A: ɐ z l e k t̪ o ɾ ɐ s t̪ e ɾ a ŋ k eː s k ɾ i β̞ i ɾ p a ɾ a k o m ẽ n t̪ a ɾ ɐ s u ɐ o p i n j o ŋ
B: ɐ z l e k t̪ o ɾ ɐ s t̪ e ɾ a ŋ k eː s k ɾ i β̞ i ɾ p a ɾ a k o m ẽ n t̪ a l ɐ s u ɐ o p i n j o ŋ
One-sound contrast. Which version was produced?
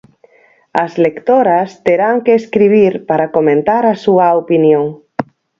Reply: A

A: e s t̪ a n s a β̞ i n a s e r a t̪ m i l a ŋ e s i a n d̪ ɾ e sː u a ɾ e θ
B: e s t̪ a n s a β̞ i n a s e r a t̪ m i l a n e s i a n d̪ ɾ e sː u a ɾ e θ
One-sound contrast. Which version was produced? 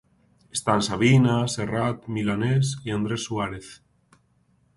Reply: B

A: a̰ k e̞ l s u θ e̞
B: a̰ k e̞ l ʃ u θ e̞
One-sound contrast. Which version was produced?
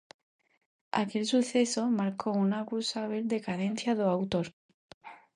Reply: A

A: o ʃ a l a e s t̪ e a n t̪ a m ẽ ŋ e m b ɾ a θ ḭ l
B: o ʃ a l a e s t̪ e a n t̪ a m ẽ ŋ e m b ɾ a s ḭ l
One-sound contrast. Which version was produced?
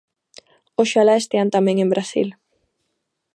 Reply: B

